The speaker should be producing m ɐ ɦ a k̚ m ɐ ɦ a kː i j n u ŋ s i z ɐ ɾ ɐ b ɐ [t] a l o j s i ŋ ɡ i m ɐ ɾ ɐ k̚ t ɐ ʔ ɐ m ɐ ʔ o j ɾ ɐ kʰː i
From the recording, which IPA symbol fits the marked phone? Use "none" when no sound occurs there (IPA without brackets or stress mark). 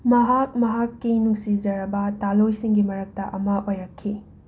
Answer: t